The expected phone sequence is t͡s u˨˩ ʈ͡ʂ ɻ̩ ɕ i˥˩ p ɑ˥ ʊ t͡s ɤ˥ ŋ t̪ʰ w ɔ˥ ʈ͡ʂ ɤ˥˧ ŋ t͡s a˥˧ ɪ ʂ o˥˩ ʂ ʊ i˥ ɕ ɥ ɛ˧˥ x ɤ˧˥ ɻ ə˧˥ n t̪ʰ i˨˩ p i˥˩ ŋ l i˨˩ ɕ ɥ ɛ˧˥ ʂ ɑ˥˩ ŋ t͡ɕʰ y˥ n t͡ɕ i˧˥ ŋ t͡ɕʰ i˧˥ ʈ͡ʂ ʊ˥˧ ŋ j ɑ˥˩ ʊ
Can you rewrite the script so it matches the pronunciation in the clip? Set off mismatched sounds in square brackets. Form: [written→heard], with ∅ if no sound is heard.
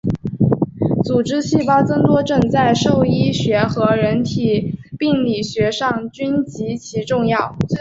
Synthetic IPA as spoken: t͡s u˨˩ ʈ͡ʂ ɻ̩ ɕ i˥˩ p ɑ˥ ʊ t͡s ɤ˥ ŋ [t̪ʰ→t̪] w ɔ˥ ʈ͡ʂ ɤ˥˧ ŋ t͡s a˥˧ ɪ ʂ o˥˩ [ʂ→∅] ʊ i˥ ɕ ɥ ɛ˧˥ x ɤ˧˥ ɻ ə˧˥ n t̪ʰ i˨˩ p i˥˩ ŋ l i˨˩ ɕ ɥ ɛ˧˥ ʂ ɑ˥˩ ŋ [t͡ɕʰ→t͡ɕ] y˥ n t͡ɕ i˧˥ [ŋ→∅] t͡ɕʰ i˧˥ ʈ͡ʂ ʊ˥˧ ŋ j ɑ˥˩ ʊ